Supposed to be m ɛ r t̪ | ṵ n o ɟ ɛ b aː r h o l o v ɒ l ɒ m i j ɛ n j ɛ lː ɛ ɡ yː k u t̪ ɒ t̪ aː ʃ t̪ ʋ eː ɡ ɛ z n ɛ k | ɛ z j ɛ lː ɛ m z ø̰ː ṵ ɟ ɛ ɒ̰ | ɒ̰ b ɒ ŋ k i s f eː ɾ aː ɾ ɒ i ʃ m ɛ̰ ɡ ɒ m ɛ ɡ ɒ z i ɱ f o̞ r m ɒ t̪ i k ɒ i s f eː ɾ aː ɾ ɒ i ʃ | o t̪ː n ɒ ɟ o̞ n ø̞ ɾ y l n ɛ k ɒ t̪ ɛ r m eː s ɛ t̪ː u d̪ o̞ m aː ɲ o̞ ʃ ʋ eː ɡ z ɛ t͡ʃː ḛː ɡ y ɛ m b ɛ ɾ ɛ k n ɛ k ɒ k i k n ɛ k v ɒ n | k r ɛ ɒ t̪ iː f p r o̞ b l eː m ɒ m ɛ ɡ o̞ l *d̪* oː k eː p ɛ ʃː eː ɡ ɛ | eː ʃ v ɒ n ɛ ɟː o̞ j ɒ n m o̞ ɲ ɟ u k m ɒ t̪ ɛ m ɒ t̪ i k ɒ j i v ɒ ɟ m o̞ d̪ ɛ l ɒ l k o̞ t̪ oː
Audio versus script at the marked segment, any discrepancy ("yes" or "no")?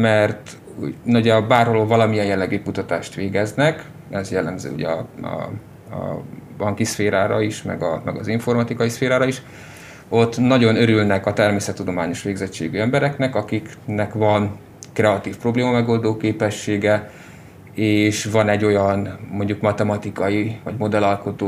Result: no